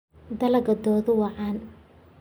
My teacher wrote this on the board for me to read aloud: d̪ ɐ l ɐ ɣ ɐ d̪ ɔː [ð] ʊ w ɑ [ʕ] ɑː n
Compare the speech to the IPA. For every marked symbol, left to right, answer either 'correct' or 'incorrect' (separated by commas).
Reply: correct, correct